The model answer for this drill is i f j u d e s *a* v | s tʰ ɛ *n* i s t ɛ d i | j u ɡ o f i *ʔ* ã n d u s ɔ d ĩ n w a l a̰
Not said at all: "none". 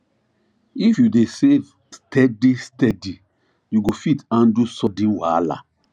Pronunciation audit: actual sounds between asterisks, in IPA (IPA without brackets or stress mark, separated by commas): e, d, t